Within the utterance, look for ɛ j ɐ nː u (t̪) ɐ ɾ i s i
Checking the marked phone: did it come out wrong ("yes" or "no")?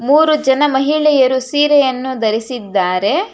yes